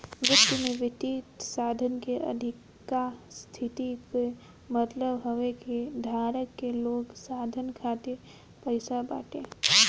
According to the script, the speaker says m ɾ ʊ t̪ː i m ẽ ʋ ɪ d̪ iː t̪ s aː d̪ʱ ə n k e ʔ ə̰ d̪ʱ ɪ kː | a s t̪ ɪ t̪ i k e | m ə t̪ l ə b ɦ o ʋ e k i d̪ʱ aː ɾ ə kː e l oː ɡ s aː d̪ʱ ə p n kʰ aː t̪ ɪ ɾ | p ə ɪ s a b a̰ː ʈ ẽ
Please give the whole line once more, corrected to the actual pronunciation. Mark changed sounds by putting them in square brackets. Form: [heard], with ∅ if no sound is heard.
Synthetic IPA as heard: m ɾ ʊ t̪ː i m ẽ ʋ ɪ [t̪] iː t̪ s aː d̪ʱ ə n k e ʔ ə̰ d̪ʱ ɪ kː | a s [t̪ʰ] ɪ t̪ i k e | m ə t̪ l ə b ɦ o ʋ e k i d̪ʱ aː ɾ ə kː e l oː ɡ s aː d̪ʱ ə [∅] n kʰ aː t̪ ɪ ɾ | p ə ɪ s a b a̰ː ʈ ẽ